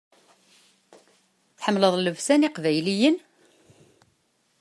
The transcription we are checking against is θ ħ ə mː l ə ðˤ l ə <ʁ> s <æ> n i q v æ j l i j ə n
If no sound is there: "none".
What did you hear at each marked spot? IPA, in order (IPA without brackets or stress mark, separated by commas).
v, æ